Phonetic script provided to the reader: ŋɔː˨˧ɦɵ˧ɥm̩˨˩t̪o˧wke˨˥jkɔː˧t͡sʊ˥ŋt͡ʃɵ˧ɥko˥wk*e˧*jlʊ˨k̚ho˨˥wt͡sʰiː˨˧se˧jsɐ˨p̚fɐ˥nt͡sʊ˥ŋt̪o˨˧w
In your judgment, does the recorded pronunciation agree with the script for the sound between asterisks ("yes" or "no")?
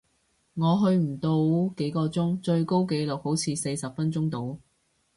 yes